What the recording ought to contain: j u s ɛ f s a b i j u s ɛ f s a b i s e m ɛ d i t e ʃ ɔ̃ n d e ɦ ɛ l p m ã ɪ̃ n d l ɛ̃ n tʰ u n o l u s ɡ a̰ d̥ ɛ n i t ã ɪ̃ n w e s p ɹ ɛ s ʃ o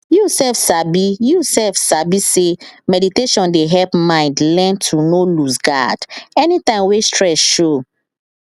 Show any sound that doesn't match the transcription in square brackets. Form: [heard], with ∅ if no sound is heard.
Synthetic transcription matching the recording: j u s ɛ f s a b i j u s ɛ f s a b i s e m ɛ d i t e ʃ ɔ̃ n d e ɦ ɛ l p m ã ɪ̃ n d l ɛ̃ n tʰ u n o l u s ɡ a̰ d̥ ɛ n i t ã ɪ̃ [m] w e s [t] ɹ ɛ s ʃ o